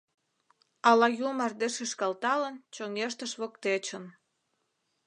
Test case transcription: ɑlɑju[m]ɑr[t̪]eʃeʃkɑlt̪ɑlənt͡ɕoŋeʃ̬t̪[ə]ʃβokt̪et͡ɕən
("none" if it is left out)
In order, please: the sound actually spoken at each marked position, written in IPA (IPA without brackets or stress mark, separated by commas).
m, d̪, ə